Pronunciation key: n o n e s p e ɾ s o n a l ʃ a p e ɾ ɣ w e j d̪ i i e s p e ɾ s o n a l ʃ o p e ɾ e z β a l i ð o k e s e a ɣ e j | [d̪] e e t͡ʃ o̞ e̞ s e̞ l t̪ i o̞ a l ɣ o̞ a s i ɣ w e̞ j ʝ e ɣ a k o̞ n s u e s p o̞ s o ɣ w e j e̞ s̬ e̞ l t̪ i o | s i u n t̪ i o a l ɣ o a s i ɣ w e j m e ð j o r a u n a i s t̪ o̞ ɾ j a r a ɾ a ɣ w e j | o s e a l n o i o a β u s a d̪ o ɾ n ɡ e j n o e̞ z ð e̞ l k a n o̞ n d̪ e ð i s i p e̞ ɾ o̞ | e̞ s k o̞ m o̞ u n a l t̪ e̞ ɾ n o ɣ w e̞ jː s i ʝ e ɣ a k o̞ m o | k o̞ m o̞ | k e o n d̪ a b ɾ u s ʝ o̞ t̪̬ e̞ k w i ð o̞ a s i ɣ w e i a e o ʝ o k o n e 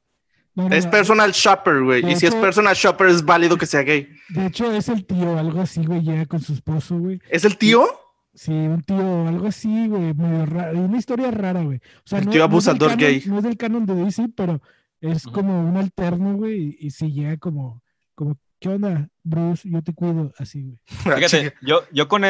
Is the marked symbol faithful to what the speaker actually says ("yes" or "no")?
yes